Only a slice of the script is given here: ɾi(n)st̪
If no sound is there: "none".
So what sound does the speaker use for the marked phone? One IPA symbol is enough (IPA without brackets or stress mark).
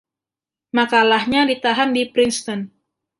n